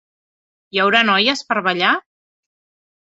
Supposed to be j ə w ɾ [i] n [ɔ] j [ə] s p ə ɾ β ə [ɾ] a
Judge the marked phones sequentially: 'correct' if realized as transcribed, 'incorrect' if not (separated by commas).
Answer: incorrect, correct, correct, incorrect